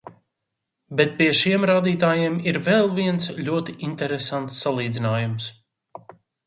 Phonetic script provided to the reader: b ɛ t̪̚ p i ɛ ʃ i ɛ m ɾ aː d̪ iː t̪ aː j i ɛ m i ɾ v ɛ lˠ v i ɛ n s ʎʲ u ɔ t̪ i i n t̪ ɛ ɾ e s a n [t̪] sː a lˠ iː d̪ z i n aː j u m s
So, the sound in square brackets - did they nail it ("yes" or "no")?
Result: yes